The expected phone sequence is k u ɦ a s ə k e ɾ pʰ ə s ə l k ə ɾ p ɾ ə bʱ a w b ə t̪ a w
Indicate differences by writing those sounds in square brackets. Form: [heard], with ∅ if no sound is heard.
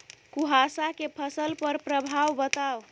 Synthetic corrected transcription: k u ɦ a s [a] k e [∅] pʰ ə s ə l [p] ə ɾ p ɾ ə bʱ a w b ə t̪ a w